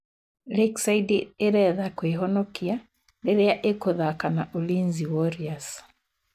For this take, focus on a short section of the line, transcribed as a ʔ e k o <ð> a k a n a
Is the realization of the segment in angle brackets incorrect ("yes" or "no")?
no